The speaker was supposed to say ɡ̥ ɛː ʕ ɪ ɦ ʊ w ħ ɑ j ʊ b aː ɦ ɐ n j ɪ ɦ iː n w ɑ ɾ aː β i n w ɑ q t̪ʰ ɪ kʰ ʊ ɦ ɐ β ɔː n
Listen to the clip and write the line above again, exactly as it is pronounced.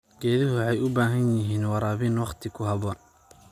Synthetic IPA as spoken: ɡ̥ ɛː ð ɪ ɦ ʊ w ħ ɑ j ʊ b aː ɦ ɐ n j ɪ ɦ iː n w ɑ ɾ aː β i n w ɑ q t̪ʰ ɪ kʰ ʊ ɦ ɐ β ɔː n